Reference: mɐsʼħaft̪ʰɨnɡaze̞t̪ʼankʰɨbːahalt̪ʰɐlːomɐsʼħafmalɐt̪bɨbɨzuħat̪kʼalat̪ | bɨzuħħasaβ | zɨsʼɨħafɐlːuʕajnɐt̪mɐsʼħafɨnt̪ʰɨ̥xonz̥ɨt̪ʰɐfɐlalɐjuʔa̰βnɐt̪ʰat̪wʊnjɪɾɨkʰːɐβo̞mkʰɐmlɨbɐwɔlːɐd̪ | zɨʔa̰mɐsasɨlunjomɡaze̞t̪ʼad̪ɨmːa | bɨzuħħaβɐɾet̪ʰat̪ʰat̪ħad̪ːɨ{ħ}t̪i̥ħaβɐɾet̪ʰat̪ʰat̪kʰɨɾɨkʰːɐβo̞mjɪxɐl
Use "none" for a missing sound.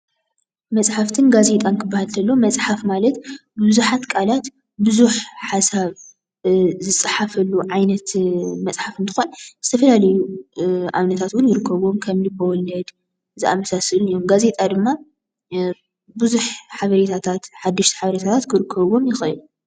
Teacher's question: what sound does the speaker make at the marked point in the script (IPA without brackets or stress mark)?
ʃ